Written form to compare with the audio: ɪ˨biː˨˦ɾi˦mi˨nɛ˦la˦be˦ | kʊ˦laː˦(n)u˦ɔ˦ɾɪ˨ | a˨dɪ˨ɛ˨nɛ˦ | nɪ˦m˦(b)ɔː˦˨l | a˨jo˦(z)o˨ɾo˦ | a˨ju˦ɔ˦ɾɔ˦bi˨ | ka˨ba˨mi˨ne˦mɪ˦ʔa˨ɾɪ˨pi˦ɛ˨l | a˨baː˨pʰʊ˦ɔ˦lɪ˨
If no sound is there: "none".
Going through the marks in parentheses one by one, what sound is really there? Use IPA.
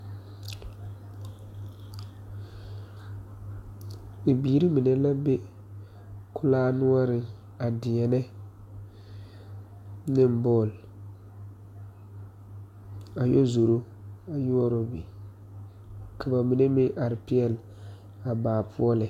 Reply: n, b, z

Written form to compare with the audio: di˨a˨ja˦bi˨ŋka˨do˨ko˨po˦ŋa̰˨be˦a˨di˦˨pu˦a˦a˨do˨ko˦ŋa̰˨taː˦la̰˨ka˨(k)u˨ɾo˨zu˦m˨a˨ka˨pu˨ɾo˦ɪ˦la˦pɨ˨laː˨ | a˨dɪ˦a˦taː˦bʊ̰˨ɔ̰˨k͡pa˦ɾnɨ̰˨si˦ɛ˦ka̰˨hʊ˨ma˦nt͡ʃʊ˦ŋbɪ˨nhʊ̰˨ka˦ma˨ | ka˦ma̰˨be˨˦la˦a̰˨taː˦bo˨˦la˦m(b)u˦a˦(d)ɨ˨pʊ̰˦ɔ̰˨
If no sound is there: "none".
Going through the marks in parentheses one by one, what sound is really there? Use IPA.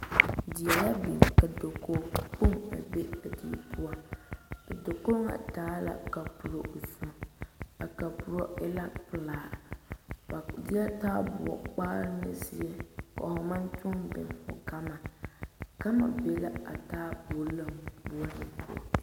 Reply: p, b, n

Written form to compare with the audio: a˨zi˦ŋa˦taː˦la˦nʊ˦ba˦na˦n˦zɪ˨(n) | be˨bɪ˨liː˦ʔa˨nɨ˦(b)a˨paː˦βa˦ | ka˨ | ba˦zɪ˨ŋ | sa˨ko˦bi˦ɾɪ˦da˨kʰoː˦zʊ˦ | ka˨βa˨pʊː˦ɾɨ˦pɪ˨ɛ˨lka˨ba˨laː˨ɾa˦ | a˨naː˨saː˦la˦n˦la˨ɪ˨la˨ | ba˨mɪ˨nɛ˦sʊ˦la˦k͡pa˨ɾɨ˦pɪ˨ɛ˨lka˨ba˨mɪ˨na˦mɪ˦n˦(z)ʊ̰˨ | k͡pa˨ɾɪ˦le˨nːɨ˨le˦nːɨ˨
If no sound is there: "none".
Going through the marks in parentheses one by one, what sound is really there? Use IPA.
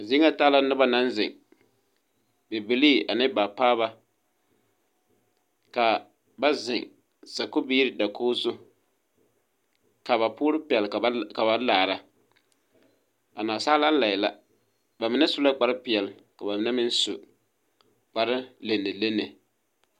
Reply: ŋ, b, s

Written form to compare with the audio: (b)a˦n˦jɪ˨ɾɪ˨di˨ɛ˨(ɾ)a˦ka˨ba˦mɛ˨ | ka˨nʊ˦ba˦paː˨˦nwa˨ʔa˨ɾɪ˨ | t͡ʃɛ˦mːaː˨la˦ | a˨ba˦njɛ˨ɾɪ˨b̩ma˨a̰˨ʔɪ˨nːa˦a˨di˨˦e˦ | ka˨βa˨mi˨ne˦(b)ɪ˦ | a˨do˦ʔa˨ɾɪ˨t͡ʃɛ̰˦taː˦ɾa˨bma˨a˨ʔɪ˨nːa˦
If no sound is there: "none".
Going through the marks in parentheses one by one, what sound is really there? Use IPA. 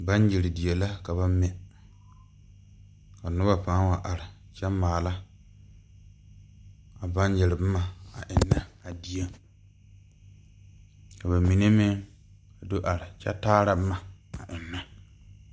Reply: b, l, m

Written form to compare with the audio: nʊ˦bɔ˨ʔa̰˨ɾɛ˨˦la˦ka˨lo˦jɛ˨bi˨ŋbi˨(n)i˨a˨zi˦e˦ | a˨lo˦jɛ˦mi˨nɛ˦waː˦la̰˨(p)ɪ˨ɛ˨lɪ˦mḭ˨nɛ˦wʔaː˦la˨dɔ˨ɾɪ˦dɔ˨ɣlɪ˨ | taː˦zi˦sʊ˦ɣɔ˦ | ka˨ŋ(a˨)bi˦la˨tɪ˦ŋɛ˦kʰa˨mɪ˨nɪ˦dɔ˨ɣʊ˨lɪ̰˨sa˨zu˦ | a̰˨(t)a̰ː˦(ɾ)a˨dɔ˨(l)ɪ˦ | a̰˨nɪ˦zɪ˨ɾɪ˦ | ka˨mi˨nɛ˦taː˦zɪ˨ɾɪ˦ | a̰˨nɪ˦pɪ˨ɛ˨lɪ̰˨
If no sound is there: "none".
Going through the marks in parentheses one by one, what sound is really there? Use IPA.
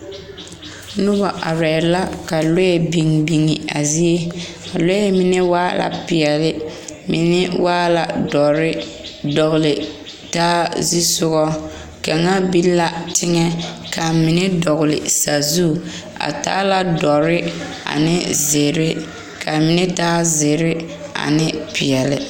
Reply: ŋ, p, a˦, t, l, ɾ

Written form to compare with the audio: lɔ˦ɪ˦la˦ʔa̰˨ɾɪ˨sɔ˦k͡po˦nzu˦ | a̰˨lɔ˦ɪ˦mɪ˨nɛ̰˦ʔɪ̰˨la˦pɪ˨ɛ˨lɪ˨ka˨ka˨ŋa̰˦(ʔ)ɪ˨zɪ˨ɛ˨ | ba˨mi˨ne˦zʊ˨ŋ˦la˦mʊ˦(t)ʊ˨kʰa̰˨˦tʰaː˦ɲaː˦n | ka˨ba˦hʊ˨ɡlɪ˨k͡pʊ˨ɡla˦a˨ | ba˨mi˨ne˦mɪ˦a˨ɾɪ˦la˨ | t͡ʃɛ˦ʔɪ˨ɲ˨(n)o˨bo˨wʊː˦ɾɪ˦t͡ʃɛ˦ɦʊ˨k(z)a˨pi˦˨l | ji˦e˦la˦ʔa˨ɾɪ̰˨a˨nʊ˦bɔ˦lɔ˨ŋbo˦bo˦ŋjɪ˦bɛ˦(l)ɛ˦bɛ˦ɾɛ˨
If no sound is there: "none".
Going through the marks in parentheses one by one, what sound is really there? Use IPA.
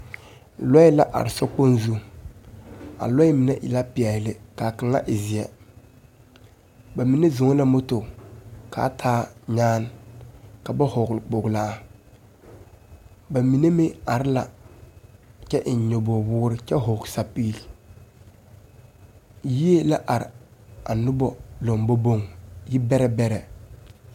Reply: ʔ, t, ɲ, s, ɾ

